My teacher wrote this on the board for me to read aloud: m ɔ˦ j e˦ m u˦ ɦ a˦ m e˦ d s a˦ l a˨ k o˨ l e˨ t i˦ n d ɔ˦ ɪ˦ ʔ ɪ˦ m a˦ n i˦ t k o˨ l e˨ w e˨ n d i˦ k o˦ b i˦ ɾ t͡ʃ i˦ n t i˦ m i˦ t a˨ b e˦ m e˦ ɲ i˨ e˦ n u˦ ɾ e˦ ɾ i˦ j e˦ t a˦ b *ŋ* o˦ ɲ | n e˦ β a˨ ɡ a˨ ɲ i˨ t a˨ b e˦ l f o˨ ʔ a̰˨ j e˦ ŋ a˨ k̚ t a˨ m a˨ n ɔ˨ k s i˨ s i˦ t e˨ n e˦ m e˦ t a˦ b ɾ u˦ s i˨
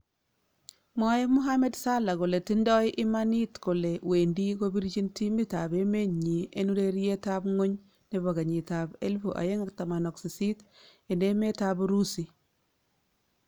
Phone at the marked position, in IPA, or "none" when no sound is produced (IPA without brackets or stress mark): ŋ